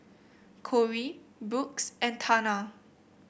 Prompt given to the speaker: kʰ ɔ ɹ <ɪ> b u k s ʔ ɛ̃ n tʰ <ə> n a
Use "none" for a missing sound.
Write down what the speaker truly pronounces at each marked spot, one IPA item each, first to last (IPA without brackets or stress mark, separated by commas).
i, a